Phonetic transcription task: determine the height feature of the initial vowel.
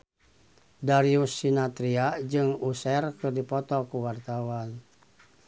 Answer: low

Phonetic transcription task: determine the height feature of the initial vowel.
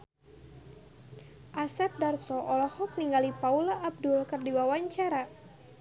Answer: low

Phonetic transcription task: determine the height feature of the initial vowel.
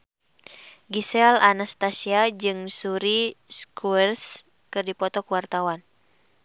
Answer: high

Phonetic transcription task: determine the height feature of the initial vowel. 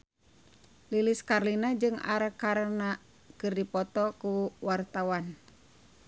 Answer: high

